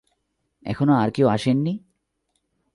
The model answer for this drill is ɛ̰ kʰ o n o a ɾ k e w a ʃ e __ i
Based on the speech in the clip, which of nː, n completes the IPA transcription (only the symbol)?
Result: nː